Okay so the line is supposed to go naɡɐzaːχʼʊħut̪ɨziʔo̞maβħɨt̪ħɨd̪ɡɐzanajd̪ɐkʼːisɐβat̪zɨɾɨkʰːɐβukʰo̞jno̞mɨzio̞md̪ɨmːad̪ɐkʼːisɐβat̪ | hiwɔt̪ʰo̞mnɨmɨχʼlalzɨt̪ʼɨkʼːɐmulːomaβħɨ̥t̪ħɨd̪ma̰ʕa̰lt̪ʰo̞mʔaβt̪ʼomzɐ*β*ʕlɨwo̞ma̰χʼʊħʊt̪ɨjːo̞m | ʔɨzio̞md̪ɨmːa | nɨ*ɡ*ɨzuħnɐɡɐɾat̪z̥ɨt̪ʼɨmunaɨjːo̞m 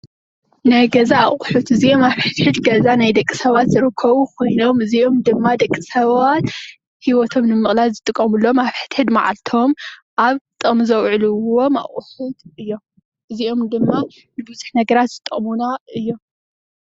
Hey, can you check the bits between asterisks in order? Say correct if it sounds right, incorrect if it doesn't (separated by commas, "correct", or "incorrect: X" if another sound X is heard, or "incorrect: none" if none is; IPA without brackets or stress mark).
incorrect: w, incorrect: b